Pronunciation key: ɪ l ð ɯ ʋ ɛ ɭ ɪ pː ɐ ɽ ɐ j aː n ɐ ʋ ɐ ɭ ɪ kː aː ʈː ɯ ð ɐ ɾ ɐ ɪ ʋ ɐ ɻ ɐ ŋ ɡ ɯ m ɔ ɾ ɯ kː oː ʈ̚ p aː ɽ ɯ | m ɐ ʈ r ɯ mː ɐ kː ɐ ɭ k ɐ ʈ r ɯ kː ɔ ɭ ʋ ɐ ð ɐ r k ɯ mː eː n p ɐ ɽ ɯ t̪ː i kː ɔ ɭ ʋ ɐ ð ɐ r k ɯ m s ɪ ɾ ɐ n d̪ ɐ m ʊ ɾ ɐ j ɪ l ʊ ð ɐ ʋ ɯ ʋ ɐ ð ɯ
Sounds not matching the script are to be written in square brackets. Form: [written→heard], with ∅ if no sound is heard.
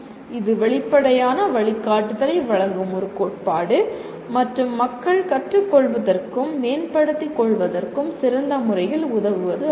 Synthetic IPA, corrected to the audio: ɪ [l→∅] ð ɯ ʋ ɛ ɭ ɪ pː ɐ ɽ ɐ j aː n ɐ ʋ ɐ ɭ ɪ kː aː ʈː ɯ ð ɐ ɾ ɐ ɪ ʋ ɐ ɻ ɐ ŋ ɡ ɯ m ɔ ɾ ɯ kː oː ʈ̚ p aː ɽ ɯ | m ɐ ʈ r ɯ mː ɐ kː ɐ ɭ k ɐ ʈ r ɯ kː ɔ ɭ ʋ ɐ ð ɐ r k ɯ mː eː n p ɐ ɽ ɯ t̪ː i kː ɔ ɭ ʋ ɐ ð ɐ r k ɯ m s ɪ ɾ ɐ n d̪ ɐ m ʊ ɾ ɐ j ɪ l ʊ ð ɐ ʋ ɯ ʋ ɐ ð ɯ